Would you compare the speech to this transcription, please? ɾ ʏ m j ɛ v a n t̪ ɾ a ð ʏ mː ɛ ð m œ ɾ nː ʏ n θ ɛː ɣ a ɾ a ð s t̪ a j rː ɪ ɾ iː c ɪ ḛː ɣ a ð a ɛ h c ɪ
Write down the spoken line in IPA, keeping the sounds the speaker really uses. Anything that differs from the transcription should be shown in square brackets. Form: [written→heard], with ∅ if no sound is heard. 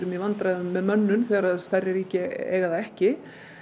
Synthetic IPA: ɾ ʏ m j ɛ v a n t̪ ɾ a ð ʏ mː ɛ ð m œ [ɾ→∅] nː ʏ n θ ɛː ɣ a ɾ a ð s t̪ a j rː ɪ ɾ iː c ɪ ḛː ɣ a ð a ɛ h c ɪ